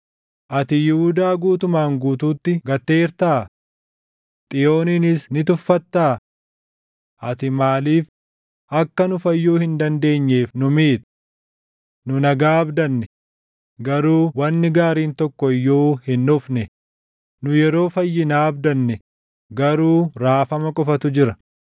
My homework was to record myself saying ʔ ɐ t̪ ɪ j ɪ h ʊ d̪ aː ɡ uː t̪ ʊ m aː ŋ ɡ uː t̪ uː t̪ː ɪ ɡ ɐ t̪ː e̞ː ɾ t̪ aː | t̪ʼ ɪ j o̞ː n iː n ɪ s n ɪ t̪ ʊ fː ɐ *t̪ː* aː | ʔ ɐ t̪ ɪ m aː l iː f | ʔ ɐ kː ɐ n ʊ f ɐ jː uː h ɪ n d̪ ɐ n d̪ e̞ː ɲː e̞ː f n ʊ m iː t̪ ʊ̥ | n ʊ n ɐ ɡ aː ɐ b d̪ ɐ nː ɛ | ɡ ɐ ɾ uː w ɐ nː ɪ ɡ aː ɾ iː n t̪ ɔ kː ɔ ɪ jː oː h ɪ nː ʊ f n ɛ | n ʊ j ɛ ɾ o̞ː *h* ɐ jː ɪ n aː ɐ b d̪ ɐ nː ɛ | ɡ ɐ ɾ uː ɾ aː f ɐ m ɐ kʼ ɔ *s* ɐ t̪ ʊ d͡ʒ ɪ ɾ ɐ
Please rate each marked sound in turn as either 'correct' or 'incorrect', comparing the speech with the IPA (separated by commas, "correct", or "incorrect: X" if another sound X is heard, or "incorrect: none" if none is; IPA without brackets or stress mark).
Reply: correct, incorrect: f, incorrect: f